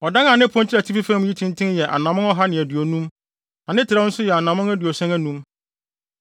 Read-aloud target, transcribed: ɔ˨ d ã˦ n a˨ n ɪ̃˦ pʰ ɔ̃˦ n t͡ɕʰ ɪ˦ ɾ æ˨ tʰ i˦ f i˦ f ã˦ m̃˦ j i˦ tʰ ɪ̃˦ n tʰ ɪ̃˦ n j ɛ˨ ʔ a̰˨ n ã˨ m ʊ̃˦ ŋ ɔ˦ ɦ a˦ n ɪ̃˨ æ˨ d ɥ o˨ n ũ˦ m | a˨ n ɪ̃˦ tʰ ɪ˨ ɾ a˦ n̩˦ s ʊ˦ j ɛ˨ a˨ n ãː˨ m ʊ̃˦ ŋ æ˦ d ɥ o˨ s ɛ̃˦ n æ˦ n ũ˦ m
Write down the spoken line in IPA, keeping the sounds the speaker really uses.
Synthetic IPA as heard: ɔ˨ d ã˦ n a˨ n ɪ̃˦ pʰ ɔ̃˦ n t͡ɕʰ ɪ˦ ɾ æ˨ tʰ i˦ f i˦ f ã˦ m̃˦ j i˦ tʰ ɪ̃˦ n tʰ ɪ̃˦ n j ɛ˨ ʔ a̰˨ n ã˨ m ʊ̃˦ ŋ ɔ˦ ɦ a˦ n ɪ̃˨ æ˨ d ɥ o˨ n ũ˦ m | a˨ n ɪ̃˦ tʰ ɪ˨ ɾ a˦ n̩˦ s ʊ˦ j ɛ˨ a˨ n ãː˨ m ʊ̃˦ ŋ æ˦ d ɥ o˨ s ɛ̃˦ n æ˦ n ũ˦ m